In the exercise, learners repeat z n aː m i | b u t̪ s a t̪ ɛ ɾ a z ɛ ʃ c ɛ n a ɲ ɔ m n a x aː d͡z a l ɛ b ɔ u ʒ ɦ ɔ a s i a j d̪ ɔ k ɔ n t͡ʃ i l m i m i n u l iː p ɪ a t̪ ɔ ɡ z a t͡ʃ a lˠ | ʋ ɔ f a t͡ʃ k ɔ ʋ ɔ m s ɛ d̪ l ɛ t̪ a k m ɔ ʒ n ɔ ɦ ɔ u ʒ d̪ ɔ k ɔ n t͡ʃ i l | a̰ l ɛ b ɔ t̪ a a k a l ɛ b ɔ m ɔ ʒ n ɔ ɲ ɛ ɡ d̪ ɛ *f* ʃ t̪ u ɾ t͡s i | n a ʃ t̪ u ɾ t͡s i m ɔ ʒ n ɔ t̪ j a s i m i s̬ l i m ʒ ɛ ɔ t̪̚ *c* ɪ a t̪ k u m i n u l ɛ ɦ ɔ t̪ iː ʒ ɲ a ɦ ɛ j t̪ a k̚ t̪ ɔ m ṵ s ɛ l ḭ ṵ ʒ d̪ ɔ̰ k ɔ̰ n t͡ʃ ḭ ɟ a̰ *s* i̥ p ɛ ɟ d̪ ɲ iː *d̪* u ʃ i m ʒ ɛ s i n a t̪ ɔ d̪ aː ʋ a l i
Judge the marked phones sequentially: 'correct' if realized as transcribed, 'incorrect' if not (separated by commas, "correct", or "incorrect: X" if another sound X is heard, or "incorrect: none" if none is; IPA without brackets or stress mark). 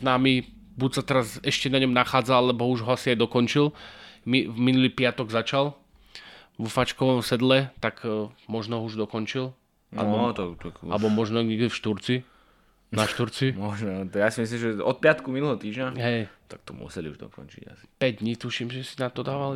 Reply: correct, incorrect: p, correct, incorrect: t̪